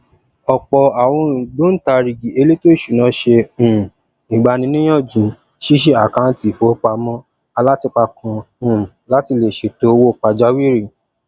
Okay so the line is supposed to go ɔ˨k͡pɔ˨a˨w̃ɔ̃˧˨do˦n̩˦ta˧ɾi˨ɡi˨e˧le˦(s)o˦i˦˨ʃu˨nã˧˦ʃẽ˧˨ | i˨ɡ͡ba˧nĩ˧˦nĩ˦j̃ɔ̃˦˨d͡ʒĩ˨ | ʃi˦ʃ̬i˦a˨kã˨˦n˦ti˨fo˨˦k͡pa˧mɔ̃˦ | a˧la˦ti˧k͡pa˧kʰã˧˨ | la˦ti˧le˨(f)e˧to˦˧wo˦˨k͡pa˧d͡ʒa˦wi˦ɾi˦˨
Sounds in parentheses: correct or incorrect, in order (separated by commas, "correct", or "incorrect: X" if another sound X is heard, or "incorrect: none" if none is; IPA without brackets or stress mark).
incorrect: t, incorrect: ʃ